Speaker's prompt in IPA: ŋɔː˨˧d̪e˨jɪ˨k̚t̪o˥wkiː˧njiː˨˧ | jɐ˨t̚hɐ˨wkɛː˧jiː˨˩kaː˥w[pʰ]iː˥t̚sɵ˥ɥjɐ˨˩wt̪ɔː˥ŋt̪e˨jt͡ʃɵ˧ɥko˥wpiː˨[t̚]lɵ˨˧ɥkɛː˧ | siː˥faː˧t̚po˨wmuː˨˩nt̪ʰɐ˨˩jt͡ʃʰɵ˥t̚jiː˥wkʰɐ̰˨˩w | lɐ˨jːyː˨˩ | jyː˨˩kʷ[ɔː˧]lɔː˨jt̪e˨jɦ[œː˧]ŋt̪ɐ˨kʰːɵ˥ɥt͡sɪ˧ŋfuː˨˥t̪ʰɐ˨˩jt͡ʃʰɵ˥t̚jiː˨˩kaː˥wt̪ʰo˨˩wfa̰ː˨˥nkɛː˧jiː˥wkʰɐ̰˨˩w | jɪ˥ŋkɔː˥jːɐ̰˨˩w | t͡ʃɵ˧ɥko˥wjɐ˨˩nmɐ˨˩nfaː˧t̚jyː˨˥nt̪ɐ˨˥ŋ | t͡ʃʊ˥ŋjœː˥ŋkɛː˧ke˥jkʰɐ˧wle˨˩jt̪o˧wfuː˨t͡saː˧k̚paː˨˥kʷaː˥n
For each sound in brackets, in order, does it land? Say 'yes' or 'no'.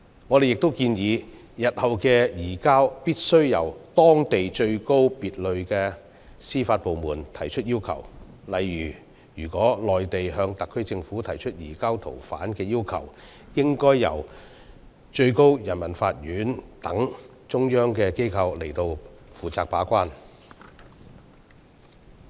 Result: no, yes, no, yes

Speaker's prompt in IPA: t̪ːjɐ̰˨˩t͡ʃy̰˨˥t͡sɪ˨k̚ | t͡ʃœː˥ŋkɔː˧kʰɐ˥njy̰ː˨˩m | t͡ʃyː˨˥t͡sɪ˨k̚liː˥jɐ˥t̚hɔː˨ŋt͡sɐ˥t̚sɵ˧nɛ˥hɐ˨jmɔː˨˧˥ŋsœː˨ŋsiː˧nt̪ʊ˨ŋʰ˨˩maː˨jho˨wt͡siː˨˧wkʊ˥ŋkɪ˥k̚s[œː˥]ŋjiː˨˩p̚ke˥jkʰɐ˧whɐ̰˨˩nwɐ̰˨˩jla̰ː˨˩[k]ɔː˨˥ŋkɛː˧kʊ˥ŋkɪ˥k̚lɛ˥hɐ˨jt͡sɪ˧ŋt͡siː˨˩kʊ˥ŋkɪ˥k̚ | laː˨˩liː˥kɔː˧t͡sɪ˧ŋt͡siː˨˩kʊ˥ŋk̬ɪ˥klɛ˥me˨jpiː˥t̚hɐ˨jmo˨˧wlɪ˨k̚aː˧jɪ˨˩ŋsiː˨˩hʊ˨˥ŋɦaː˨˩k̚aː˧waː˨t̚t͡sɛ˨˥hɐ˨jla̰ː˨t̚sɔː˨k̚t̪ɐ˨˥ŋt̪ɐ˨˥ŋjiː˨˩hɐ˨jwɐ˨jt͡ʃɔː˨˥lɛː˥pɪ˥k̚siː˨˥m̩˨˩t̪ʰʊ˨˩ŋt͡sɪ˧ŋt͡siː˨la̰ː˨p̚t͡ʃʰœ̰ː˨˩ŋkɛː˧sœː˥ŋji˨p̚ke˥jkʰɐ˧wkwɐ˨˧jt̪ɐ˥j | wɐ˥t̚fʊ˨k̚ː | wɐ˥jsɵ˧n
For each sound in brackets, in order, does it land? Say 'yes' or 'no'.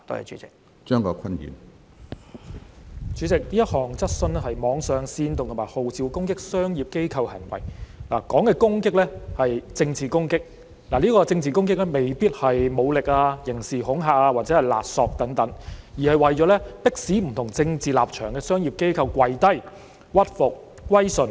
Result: yes, yes

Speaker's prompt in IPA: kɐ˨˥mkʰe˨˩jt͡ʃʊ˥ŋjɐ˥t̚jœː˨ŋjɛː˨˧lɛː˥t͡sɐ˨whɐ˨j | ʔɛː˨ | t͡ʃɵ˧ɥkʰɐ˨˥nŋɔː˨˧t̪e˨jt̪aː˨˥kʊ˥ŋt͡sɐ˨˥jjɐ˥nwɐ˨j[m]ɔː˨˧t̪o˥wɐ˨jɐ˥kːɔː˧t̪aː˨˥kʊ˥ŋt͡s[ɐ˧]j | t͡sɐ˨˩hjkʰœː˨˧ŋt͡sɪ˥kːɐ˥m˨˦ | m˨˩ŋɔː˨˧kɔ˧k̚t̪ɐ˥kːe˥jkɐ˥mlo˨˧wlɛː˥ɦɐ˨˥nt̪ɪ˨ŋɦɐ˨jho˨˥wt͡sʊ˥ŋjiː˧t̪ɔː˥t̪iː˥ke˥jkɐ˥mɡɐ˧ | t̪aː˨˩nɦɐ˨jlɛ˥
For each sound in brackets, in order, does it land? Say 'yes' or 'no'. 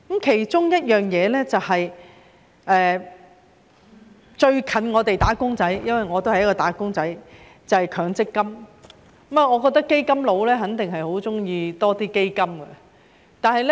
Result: no, no

